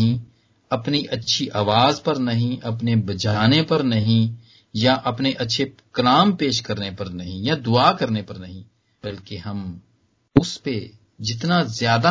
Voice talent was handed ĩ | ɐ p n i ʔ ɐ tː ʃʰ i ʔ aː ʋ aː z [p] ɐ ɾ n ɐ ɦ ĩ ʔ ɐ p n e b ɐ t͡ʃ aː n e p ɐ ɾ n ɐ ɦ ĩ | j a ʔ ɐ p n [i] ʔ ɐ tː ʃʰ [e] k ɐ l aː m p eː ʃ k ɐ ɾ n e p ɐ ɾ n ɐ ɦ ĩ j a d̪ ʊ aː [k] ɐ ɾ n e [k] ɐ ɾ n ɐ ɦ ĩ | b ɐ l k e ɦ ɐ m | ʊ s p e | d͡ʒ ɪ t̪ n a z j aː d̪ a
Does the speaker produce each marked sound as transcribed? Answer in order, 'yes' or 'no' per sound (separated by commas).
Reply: yes, no, yes, yes, no